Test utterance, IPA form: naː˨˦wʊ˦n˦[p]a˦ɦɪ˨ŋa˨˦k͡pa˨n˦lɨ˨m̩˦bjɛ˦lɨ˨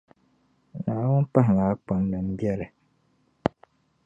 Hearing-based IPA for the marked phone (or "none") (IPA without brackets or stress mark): p